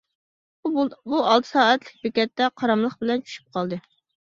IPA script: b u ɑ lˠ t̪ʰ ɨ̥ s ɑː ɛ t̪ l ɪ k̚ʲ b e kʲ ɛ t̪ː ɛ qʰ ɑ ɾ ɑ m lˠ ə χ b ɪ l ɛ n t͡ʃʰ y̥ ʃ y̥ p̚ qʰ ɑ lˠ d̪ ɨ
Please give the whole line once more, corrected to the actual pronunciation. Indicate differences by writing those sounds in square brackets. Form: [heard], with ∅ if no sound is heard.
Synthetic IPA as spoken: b u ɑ lˠ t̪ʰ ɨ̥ s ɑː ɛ t̪ l ɪ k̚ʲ b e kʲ ɛ t̪ː ɛ qʰ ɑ ɾ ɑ m lˠ ə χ b ɪ l ɛ n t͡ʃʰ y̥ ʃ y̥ p̚ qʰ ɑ lˠ d̪ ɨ